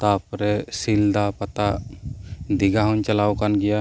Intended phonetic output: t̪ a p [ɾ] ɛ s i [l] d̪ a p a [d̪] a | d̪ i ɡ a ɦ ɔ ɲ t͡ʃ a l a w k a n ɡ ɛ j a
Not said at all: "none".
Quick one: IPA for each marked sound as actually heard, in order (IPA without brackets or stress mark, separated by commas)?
ɾ, l, t̪